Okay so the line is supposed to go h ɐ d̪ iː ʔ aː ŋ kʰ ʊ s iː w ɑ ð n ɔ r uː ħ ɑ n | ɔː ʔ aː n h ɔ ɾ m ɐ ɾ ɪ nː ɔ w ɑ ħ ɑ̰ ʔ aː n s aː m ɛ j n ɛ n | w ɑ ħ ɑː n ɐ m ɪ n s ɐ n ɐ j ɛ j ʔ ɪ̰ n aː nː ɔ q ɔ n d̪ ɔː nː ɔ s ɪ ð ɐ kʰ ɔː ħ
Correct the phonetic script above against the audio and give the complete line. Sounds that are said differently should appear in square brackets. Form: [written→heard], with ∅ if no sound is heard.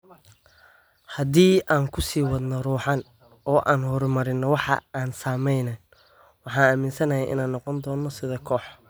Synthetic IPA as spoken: h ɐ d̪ iː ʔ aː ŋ kʰ ʊ s iː w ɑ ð n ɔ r uː ħ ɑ n | ɔː ʔ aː n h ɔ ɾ m ɐ ɾ ɪ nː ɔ w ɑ ħ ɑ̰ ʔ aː n s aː m ɛ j n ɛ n | w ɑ ħ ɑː n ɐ m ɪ n s ɐ n ɐ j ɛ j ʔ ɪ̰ n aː nː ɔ q ɔ n d̪ ɔː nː ɔ s ɪ ð ɐ kʰ ɔː ħ